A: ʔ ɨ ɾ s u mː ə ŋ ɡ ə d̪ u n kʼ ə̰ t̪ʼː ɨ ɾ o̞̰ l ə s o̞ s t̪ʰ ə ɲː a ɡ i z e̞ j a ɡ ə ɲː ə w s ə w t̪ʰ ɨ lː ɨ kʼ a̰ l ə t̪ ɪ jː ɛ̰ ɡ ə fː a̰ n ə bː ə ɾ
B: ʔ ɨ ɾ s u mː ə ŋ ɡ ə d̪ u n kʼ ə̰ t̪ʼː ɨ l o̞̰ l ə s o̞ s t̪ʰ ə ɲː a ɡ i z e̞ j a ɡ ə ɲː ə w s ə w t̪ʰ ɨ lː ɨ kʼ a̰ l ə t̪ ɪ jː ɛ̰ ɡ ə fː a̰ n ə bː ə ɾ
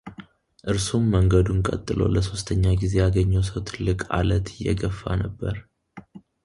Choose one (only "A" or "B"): B